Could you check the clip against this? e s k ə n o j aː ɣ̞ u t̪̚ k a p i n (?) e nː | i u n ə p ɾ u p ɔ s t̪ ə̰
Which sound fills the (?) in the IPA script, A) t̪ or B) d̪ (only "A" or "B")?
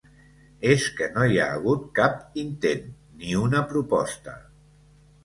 A